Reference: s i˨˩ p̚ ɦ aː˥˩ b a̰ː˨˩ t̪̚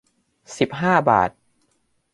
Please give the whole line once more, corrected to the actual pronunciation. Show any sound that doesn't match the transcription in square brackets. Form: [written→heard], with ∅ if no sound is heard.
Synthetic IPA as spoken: s i˨˩ p̚ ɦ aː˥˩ b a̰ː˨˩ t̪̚